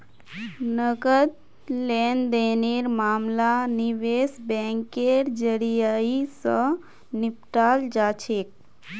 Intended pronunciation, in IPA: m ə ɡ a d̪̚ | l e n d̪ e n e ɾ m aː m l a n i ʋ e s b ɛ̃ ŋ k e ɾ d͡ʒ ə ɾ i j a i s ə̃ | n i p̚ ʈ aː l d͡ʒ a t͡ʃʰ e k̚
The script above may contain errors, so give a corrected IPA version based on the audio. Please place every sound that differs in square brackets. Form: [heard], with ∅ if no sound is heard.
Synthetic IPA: [n] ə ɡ [ə] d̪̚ | l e n d̪ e n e ɾ m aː m l a n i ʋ e s b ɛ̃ ŋ k e ɾ d͡ʒ ə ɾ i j a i s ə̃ | n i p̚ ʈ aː l d͡ʒ a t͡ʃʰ e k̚